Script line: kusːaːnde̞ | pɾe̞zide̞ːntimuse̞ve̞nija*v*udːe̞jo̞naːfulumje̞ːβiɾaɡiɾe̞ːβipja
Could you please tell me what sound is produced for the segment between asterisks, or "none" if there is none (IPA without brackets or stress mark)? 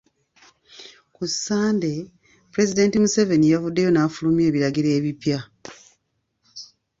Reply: v